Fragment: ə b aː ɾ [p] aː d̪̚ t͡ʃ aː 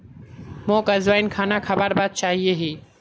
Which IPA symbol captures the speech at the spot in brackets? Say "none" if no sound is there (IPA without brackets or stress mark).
b